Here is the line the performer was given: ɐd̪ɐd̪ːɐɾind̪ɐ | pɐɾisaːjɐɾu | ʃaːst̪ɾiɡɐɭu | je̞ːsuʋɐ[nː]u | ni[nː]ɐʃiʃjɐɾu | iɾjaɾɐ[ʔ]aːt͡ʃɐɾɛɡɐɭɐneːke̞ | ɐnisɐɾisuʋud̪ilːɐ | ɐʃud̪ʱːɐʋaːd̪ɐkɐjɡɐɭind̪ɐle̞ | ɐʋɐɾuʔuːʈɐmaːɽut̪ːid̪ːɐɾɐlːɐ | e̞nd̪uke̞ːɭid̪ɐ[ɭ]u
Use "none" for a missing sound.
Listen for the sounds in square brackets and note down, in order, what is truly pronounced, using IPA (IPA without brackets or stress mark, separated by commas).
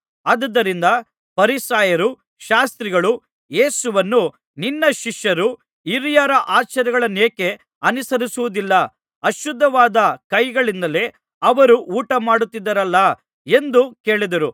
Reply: nː, nː, ʔ, ɾ